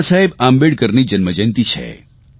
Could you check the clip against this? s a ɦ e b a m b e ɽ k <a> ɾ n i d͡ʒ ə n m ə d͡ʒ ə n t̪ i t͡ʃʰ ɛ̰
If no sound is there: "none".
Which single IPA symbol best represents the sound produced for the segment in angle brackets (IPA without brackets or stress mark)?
ə